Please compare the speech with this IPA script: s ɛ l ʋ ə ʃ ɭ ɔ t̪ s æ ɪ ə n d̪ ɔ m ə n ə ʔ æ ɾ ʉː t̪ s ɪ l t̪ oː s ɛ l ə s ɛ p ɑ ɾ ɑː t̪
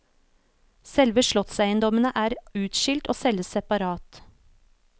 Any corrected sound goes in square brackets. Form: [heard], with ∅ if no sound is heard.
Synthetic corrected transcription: s ɛ l ʋ ə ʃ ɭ ɔ t̪ s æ ɪ ə n d̪ ɔ m ə n ə ʔ [æː] ɾ ʉː t̪ [ʃ] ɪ l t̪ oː s ɛ l ə s ɛ p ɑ ɾ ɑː t̪